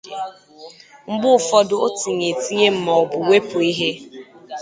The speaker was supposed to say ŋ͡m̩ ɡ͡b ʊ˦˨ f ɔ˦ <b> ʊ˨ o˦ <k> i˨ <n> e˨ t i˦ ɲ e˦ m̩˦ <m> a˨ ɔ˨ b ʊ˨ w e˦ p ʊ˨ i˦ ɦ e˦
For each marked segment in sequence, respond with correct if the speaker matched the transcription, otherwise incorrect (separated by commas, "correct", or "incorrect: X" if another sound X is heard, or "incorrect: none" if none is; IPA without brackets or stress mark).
incorrect: d, incorrect: t, incorrect: ɲ, correct